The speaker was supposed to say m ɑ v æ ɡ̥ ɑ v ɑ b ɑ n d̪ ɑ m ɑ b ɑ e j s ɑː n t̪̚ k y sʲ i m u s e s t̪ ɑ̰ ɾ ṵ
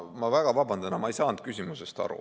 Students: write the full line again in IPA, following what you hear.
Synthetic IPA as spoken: m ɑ v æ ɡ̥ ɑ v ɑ b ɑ n d̪ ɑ n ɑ m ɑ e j s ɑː n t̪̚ k y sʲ i m u s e s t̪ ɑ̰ ɾ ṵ